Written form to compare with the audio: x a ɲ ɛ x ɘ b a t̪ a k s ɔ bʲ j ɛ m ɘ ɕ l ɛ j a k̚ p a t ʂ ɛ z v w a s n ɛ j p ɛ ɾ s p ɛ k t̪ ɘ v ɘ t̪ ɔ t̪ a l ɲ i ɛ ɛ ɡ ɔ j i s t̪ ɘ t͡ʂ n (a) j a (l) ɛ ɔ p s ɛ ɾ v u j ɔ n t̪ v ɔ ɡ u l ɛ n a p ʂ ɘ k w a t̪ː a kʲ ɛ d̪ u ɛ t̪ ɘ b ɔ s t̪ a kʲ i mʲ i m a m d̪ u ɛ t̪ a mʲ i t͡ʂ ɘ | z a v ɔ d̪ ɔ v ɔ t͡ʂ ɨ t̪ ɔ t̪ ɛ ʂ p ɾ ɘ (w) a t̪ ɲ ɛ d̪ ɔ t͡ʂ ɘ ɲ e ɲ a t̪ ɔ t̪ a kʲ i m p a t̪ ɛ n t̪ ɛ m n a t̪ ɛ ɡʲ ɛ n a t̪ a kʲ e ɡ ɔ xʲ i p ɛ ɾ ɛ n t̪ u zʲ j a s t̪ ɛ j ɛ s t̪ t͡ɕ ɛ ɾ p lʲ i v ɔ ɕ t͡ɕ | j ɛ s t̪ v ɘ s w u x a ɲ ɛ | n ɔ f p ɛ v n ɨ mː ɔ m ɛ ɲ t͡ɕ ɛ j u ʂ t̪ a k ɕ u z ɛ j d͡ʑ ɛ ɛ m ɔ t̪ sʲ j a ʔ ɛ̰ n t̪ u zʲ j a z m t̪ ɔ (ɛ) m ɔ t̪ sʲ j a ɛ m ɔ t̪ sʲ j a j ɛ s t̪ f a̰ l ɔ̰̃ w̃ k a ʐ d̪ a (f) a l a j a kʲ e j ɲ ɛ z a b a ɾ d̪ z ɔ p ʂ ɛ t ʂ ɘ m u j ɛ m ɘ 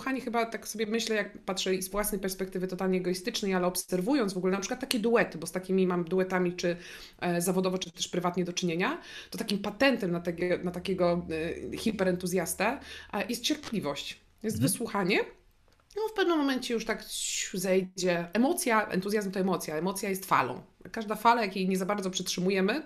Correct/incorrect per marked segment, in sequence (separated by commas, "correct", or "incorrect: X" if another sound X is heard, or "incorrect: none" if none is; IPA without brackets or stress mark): incorrect: ɛ, correct, incorrect: v, correct, correct